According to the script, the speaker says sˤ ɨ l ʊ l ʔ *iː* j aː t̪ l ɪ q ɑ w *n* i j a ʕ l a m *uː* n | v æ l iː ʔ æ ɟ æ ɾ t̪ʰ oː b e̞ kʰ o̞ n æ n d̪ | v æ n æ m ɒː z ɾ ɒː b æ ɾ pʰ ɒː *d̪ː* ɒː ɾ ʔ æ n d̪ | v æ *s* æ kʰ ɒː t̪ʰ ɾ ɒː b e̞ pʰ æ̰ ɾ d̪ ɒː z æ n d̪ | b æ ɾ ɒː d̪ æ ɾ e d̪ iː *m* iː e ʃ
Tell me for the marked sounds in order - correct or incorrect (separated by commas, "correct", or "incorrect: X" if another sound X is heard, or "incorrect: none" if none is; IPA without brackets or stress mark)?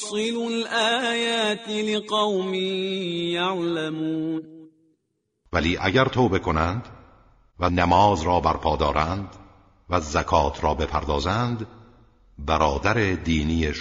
incorrect: aː, incorrect: m, correct, incorrect: d̪, incorrect: z, incorrect: n